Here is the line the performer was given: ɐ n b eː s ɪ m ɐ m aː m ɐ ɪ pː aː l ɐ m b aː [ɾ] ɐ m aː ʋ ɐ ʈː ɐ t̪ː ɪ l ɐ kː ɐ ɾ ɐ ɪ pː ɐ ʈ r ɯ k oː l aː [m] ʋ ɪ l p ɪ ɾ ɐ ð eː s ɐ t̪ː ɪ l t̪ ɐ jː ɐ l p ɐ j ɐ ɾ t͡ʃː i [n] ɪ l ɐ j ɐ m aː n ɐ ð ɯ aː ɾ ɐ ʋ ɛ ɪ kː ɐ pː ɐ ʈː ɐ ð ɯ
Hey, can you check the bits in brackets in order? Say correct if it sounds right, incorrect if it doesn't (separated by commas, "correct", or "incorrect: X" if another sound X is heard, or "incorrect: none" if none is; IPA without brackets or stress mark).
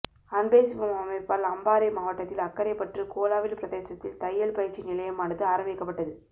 correct, incorrect: none, correct